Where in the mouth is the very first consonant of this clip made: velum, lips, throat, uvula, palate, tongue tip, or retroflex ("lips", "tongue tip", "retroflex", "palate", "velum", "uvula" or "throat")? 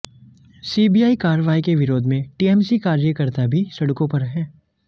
tongue tip